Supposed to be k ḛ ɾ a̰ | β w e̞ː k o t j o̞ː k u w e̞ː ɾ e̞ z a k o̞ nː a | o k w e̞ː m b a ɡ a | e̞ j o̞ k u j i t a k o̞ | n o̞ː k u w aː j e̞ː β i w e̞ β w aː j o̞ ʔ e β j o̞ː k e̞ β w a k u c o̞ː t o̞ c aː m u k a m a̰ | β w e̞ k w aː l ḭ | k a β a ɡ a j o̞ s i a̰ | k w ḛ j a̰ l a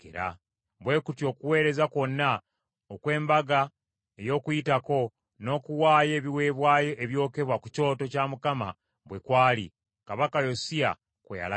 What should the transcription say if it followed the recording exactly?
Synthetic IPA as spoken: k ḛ ɾ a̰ | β w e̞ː k u t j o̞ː k u w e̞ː ɾ e̞ z a k o̞ nː a | o k w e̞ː m b a ɡ a | e̞ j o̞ k u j i t a k o̞ | n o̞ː k u w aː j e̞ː β i w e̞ β w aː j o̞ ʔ e β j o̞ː k e̞ β w a k u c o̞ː t o̞ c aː m u k a m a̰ | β w e̞ k w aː l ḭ | k a β a k a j o̞ s i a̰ | k w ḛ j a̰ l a